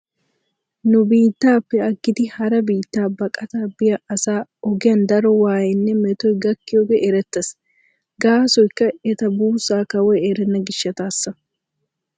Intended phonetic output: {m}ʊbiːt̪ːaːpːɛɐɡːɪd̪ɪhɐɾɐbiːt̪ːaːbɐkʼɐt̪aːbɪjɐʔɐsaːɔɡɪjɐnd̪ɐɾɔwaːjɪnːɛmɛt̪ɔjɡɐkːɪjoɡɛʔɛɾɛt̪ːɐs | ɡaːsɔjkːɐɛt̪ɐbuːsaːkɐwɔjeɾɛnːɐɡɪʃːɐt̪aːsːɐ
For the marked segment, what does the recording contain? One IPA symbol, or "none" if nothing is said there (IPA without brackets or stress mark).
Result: n